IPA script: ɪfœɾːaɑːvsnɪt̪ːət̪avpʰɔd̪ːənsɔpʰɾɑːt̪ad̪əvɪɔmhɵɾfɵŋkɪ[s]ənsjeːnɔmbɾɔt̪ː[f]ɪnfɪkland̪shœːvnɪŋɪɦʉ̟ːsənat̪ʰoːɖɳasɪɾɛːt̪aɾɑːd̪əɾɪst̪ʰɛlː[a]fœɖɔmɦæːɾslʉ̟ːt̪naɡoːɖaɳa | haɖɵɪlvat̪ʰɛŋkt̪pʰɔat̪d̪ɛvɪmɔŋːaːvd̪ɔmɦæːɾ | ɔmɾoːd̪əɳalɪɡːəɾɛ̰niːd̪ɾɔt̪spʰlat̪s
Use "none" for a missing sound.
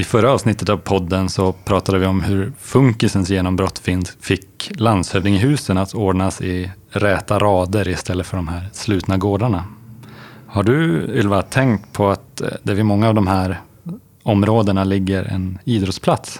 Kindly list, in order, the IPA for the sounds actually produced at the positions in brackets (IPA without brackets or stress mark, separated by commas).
s, f, ə